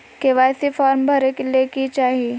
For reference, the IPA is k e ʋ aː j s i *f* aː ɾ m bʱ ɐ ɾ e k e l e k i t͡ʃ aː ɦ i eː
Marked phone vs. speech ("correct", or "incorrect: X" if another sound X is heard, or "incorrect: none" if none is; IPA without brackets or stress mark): correct